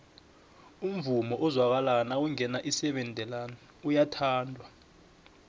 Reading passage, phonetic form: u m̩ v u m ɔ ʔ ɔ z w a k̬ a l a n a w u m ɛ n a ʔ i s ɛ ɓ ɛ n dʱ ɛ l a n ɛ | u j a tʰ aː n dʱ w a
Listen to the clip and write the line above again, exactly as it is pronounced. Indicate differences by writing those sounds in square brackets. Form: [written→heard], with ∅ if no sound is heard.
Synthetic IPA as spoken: u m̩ v u m ɔ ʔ ɔ z w a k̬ a l a n a w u [m→ŋ] ɛ n a ʔ i s ɛ ɓ ɛ n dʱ ɛ l a n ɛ | u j a tʰ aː n dʱ w a